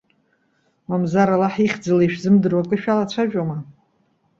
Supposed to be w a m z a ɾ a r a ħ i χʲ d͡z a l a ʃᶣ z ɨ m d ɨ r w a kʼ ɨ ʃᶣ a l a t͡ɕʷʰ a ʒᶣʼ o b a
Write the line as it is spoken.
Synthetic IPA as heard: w a m z a ɾ a l a ħ i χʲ d͡z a l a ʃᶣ z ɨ m d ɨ r w a kʼ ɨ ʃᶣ a l a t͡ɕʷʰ a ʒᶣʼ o m a